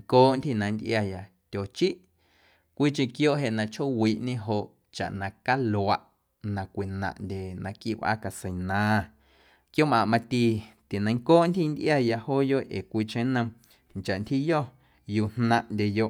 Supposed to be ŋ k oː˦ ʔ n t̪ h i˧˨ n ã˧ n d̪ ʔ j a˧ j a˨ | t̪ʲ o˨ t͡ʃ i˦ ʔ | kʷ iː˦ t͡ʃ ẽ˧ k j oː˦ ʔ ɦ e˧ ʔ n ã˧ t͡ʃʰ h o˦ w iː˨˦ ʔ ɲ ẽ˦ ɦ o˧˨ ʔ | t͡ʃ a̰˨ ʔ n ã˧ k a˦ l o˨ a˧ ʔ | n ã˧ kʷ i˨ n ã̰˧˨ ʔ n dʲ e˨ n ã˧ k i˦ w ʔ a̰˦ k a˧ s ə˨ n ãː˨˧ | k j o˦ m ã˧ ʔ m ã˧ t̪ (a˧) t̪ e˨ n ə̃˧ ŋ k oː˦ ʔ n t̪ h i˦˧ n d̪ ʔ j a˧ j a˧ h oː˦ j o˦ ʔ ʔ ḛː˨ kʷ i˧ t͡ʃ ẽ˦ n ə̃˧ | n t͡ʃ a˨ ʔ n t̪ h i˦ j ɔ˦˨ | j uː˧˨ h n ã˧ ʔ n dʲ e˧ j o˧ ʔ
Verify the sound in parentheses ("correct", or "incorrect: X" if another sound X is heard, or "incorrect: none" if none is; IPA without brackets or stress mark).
incorrect: i˧